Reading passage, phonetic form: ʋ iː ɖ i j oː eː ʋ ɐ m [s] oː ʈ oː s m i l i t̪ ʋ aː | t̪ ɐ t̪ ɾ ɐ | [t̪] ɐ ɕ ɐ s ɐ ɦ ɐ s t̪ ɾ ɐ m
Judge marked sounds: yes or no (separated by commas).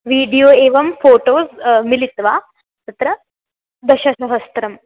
no, no